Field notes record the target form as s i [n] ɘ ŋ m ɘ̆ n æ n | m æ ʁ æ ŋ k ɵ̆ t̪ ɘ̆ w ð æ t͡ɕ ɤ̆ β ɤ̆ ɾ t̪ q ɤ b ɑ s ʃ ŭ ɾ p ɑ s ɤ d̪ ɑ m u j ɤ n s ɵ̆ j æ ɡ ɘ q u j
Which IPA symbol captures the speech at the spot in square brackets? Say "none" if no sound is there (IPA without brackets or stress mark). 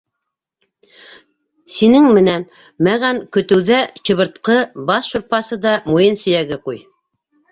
n